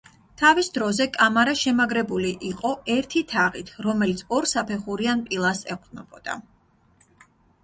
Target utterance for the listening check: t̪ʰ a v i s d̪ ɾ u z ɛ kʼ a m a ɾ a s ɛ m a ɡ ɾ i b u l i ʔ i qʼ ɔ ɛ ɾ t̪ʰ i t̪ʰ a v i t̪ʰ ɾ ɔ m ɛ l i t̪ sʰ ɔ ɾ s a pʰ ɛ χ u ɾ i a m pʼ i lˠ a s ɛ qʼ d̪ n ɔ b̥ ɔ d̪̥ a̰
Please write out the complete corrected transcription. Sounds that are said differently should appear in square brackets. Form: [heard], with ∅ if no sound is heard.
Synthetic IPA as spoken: t̪ʰ a v i s d̪ ɾ [ɔ] z ɛ kʼ a m a ɾ a [ʃ] ɛ m a ɡ ɾ [ɛ] b u l i ʔ i qʼ ɔ ɛ ɾ t̪ʰ i t̪ʰ a [ʁ] i t̪ʰ ɾ ɔ m ɛ l i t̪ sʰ ɔ ɾ s a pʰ ɛ χ u ɾ i a [n] pʼ i lˠ a s ɛ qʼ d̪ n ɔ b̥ ɔ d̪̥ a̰